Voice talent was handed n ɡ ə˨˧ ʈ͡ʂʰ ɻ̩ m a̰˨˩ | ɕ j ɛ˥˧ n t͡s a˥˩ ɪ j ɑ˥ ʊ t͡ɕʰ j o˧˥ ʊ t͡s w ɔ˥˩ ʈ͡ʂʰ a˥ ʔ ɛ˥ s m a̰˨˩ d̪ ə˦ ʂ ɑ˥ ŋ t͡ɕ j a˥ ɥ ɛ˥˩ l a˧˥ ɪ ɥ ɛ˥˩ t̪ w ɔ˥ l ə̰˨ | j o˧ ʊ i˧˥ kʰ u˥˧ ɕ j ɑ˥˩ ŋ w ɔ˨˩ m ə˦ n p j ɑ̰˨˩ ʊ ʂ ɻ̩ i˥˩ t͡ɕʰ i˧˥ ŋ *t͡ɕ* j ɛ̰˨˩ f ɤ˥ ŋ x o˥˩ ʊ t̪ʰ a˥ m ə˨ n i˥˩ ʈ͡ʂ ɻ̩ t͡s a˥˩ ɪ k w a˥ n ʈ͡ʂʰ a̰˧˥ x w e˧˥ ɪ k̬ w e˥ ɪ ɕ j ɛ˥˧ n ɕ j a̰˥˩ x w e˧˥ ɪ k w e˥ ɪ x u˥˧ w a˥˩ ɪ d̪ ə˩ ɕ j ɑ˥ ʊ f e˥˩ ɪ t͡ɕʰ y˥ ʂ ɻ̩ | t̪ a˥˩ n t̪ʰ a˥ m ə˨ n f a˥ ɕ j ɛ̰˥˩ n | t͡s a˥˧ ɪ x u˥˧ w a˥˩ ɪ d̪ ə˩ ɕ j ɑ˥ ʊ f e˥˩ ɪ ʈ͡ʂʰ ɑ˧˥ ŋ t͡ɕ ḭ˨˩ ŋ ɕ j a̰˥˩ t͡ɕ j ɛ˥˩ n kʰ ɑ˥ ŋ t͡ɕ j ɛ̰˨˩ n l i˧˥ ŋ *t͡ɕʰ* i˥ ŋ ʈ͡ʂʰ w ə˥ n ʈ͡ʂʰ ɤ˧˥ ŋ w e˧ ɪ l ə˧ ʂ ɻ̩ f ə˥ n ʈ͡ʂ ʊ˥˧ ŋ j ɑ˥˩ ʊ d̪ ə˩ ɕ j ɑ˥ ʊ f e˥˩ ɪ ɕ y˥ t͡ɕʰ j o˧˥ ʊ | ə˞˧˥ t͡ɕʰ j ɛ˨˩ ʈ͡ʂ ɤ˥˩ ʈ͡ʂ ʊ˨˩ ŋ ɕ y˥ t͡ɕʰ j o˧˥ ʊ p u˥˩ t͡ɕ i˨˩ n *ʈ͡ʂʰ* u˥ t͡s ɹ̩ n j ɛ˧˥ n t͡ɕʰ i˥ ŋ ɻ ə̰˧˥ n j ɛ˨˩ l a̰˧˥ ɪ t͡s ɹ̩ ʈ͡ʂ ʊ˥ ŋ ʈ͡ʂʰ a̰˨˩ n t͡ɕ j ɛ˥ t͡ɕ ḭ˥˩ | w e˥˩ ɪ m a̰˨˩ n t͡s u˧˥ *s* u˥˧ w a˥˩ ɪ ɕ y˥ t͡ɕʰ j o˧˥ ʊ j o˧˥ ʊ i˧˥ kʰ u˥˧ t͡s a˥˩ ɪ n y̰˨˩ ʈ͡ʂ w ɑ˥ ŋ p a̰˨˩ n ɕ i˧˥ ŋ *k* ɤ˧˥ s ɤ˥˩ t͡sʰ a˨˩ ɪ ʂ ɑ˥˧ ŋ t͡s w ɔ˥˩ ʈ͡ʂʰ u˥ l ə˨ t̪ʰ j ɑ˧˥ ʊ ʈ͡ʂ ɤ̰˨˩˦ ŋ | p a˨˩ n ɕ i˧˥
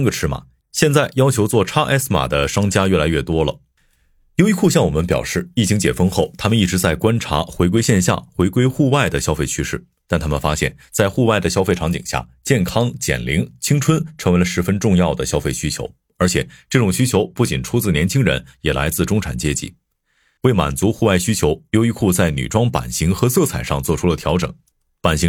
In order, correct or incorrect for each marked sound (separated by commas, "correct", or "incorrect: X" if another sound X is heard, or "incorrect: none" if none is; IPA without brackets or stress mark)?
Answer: correct, correct, correct, incorrect: x, incorrect: x